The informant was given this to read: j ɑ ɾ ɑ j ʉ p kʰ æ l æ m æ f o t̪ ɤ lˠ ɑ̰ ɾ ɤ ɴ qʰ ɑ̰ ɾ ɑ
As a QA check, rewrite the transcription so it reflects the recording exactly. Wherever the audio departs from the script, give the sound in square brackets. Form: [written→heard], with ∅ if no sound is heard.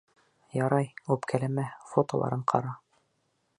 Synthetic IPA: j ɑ ɾ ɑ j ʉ p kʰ æ l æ m æ f o t̪ [ɤ→o] lˠ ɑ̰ ɾ ɤ ɴ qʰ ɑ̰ ɾ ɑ